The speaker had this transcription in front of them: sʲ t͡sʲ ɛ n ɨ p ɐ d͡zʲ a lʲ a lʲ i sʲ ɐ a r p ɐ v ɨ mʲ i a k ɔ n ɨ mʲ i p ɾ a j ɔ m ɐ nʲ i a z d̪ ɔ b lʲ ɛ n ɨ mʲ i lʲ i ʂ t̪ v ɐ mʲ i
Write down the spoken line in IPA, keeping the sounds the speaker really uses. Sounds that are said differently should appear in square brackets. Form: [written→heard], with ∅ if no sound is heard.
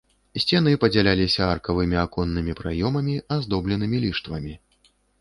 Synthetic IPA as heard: sʲ t͡sʲ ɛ n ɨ p ɐ d͡zʲ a lʲ a lʲ i sʲ ɐ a r [p→k] ɐ v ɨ mʲ i a k ɔ [n→nː] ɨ mʲ i p ɾ a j ɔ m ɐ [nʲ→mʲ] i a z d̪ ɔ b lʲ ɛ n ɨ mʲ i lʲ i ʂ t̪ v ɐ mʲ i